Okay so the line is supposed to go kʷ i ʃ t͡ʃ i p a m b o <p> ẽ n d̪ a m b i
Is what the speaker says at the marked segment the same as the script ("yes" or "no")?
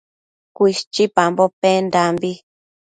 yes